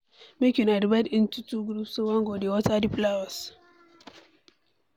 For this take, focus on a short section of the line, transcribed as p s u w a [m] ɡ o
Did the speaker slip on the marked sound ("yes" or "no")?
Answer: yes